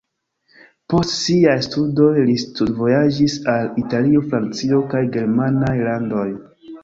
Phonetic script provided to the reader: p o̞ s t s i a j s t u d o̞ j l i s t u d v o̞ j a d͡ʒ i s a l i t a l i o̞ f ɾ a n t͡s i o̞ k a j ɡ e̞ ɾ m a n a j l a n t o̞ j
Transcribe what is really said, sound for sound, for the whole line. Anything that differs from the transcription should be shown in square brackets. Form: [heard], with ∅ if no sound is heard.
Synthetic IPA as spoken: p o̞ s t s i a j s t u d o̞ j l i s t u d v o̞ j a d͡ʒ i s a l i t a l i o̞ f ɾ a n t͡s i o̞ k a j ɡ e̞ ɾ m a n a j l a n [d] o̞ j